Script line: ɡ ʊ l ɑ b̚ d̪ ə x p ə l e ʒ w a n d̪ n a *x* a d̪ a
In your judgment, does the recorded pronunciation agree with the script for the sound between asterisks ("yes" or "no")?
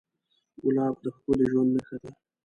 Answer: yes